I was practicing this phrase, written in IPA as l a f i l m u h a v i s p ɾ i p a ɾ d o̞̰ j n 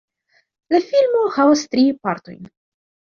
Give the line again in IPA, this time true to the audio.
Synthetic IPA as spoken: l a f i l m o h a v a s t ɾ i p a ɾ t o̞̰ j n